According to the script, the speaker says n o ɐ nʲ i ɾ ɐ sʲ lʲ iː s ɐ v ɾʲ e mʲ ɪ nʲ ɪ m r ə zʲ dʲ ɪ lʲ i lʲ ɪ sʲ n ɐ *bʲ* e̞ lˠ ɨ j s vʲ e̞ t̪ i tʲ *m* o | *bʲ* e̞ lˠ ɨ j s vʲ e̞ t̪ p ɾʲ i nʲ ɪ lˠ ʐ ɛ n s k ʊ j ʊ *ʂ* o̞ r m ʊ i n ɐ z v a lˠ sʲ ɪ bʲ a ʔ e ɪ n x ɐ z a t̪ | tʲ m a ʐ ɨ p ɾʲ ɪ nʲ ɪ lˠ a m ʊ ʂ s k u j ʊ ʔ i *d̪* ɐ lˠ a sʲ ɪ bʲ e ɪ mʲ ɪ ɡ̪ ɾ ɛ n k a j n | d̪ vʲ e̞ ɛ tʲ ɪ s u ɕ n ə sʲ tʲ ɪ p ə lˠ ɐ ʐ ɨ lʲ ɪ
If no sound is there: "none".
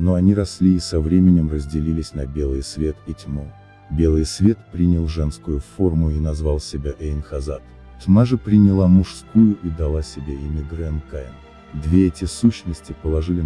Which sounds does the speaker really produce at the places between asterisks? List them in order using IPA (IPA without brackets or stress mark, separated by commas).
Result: bʲ, m, bʲ, f, d̪